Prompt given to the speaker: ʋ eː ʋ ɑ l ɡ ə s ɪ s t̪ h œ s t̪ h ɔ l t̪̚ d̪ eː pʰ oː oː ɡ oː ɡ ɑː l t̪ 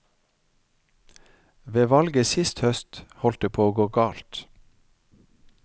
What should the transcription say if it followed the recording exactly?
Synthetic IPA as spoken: ʋ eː ʋ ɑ l ɡ ə s ɪ s t̪ h œ s t̪ h ɔ l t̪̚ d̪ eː pʰ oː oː ɡ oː ɡ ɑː l t̪